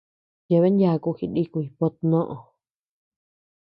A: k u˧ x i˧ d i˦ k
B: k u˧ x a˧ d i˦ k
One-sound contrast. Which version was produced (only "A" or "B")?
A